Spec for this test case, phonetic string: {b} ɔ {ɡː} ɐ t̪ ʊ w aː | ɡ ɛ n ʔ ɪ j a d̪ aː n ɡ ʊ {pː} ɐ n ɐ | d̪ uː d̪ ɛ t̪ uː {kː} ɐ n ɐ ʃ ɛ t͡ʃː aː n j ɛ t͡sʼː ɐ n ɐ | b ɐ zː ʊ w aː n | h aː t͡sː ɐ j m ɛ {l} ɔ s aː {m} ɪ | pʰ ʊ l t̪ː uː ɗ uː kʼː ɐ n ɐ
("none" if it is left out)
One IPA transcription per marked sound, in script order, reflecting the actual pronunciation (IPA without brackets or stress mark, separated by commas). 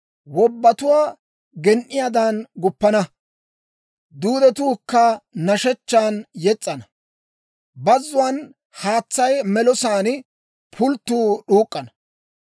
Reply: w, bː, pː, kː, l, n